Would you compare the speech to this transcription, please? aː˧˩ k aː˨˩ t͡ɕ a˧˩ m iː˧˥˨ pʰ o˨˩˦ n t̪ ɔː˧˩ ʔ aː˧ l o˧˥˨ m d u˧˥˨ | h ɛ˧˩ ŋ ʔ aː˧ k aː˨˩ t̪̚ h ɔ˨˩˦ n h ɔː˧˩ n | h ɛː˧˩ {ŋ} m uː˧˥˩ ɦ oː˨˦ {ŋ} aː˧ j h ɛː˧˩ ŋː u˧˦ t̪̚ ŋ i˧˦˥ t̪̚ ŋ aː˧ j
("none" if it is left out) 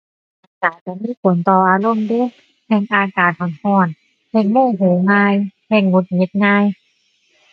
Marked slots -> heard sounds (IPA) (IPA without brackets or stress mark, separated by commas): ŋ, ŋ